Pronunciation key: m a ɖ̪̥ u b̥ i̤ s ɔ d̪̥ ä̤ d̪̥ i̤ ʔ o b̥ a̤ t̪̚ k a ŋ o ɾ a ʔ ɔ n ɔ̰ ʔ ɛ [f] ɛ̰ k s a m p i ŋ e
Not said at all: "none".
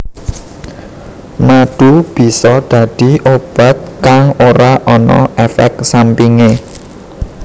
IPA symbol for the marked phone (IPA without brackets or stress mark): f